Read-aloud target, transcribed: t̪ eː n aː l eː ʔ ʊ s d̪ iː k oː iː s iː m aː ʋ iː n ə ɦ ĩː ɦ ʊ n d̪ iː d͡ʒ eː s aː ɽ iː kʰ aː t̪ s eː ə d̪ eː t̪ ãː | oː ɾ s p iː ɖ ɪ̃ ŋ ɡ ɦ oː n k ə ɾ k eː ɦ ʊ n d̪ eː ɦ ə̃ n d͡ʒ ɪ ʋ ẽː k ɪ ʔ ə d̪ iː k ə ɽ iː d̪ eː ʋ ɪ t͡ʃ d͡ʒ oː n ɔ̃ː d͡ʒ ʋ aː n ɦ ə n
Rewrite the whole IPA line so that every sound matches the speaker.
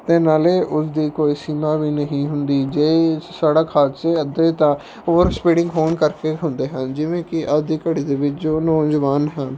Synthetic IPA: t̪ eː n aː l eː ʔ ʊ s d̪ iː k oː iː s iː m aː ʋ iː n ə ɦ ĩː ɦ ʊ n d̪ iː d͡ʒ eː s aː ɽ aː kʰ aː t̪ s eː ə d̪ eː t̪ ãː | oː ɾ s p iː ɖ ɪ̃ ŋ ɡ ɦ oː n k ə ɾ k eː ɦ ʊ n d̪ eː ɦ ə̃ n d͡ʒ ɪ ʋ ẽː k ɪ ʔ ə d̪ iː k ə ɽ iː d̪ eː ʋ ɪ t͡ʃ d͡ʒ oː n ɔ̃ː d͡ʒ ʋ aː n ɦ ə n